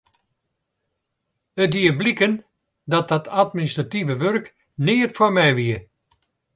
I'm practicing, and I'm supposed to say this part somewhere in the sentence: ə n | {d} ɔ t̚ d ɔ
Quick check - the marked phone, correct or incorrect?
correct